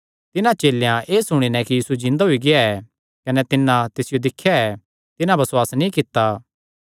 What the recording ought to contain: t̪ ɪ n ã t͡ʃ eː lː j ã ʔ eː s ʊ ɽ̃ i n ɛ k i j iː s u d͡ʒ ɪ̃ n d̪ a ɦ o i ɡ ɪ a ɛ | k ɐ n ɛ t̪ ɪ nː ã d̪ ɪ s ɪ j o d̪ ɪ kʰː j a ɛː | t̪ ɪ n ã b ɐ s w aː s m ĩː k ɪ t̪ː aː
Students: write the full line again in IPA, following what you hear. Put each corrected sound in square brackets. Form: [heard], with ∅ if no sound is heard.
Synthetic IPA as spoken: t̪ ɪ n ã t͡ʃ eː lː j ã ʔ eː s ʊ ɽ̃ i n ɛ k i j iː s u d͡ʒ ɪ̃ n d̪ a ɦ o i ɡ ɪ a ɛ | k ɐ n ɛ t̪ ɪ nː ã [t̪] ɪ s ɪ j o d̪ ɪ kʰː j a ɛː | t̪ ɪ n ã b ɐ s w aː s [n] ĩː k ɪ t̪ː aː